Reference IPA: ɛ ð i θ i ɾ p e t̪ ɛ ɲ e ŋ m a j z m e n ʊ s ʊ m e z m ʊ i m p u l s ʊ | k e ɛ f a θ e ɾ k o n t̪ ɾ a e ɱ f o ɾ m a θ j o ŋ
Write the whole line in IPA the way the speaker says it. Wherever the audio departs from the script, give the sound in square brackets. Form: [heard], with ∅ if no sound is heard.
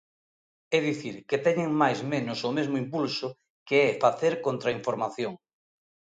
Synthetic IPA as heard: ɛ ð i θ i ɾ [k] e t̪ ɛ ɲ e ŋ m a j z m e n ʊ s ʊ m e z m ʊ i m p u l s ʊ | k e ɛ f a θ e ɾ k o n t̪ ɾ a [i] ɱ f o ɾ m a θ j o ŋ